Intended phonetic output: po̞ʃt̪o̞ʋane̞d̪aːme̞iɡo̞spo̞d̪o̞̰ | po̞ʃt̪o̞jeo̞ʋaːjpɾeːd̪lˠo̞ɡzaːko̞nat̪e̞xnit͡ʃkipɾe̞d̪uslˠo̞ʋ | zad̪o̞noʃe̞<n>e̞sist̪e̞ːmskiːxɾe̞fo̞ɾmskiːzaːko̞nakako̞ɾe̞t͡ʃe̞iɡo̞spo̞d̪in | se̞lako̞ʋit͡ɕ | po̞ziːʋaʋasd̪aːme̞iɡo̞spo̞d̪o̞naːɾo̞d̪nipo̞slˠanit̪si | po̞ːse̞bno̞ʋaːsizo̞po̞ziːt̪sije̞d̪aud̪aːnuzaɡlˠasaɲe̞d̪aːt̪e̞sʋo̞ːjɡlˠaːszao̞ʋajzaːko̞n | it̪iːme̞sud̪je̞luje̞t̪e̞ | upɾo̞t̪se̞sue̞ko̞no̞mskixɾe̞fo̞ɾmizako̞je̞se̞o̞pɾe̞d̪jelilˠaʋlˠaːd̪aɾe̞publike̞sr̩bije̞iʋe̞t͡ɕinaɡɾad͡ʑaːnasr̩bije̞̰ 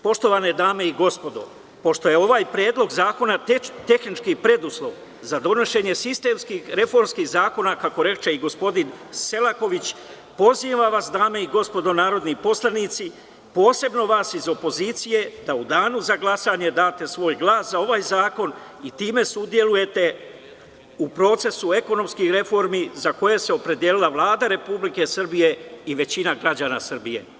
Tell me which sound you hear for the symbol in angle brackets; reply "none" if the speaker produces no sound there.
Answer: ɲ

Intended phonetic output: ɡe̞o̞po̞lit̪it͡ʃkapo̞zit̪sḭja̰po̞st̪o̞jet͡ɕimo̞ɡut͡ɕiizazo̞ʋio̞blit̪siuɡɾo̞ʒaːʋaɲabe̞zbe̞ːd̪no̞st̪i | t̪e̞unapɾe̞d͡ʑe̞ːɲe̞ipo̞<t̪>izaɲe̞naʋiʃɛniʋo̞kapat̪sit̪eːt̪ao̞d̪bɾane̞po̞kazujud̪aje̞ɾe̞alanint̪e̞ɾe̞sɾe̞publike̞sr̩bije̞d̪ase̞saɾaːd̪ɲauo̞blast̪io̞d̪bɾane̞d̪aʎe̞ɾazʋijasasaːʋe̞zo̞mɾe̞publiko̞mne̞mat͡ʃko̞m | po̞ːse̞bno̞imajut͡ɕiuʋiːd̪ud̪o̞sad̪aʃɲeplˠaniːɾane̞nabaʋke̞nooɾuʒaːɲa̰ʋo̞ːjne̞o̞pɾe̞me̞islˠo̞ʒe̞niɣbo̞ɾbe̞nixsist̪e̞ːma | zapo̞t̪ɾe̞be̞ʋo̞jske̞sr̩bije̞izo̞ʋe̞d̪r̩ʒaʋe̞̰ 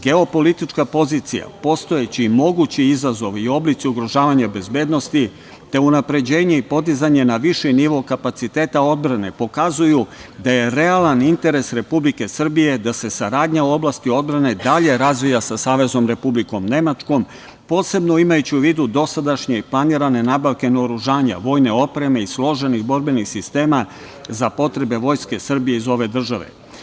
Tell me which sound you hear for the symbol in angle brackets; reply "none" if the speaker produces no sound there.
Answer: d̪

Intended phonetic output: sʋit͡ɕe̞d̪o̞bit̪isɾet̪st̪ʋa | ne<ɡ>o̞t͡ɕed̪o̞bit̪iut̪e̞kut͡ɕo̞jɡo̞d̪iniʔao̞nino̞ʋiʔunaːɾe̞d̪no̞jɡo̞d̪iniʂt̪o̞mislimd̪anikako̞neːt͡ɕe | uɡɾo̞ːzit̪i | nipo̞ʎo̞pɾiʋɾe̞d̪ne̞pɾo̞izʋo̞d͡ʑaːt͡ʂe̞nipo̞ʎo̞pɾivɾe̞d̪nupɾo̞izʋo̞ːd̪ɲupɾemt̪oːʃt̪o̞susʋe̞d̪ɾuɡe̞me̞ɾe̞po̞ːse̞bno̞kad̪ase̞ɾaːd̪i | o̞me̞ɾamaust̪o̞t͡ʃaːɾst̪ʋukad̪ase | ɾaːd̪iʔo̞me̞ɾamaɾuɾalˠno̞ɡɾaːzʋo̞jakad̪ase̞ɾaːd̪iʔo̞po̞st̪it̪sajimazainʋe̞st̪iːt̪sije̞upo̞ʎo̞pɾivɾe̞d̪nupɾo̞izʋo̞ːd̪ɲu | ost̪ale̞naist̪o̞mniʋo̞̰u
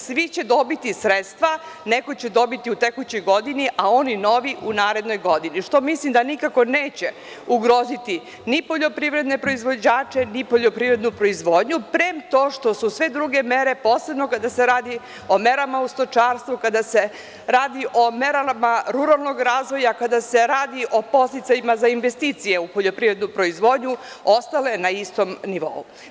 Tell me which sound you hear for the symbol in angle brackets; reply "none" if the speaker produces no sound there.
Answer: k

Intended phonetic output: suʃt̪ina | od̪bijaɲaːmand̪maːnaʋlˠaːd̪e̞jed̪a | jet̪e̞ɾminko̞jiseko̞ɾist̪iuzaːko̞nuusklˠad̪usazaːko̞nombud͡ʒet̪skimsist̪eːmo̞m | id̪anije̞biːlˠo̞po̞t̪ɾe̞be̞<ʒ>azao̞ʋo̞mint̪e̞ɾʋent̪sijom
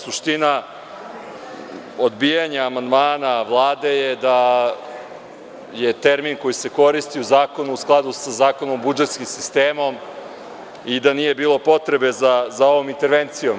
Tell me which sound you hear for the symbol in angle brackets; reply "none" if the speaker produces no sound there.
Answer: z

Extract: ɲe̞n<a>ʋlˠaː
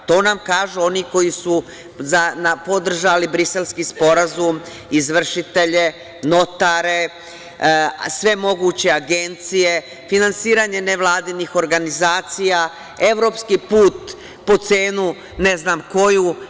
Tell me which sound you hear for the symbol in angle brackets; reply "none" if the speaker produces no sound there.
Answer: e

